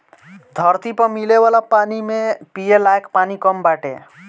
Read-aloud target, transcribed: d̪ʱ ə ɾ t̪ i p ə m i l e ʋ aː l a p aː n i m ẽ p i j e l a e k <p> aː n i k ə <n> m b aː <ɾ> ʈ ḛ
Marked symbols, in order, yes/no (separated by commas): yes, no, no